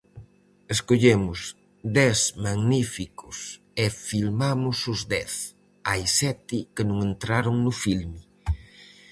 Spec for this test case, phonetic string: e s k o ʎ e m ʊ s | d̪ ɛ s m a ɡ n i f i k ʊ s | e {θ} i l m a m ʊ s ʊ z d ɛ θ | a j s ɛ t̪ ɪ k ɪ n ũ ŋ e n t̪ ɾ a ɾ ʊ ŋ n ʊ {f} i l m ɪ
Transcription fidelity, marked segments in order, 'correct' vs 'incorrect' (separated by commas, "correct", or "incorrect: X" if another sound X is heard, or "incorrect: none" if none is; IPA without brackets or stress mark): incorrect: f, correct